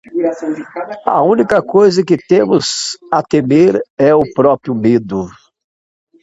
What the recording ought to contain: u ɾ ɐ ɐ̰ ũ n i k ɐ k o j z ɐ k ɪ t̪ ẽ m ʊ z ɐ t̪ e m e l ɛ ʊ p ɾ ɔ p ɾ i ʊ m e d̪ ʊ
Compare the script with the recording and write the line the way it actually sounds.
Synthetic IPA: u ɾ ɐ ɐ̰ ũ n i k ɐ k o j z ɐ k ɪ t̪ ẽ m ʊ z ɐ t̪ e m e ɾ ɛ ʊ p ɾ ɔ p ɾ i ʊ m e d̪ ʊ